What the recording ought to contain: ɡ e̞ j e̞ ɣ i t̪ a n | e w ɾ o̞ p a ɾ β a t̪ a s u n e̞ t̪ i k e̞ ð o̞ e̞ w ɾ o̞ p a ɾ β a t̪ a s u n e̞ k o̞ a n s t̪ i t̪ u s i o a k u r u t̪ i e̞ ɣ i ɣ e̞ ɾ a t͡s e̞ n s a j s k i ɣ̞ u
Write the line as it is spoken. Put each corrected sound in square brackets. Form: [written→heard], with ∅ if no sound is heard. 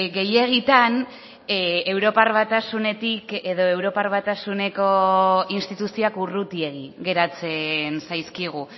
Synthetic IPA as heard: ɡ e̞ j e̞ ɣ i t̪ a n | e w ɾ o̞ p a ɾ β a t̪ a s u n e̞ t̪ i k e̞ ð o̞ e̞ w ɾ o̞ p a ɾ β a t̪ a s u n e̞ k o̞ [a→i] n s t̪ i t̪ u s i o a k u r u t̪ i e̞ ɣ i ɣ e̞ ɾ a t͡s e̞ n s a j s k i ɣ̞ u